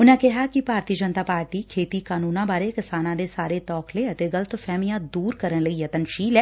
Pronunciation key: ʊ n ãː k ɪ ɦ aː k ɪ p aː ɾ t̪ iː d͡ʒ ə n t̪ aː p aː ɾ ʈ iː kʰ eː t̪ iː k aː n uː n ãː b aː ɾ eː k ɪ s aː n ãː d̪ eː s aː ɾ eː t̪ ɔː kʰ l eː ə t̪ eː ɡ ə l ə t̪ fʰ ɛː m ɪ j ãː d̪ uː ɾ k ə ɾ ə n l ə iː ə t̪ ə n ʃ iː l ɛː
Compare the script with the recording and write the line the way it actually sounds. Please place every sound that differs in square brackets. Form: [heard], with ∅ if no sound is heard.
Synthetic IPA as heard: ʊ n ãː k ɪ ɦ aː k ɪ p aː ɾ t̪ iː d͡ʒ ə n t̪ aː p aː ɾ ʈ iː kʰ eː t̪ iː k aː n uː n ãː b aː ɾ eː k ɪ s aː n ãː d̪ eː s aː ɾ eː t̪ ɔː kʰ l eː ə t̪ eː ɡ ə l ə t̪ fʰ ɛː m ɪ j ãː d̪ uː ɾ k ə ɾ ə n l ə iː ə t̪ ə n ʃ iː l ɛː